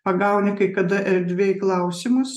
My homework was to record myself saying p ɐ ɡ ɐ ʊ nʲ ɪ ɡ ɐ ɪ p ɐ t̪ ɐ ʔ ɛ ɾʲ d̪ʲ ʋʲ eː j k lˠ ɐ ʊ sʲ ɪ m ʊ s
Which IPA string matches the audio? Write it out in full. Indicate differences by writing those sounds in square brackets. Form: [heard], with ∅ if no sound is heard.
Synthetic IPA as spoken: p ɐ ɡ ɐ ʊ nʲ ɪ [k] ɐ ɪ [k] ɐ [d̪] ɐ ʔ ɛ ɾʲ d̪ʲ ʋʲ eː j k lˠ ɐ ʊ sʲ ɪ m ʊ s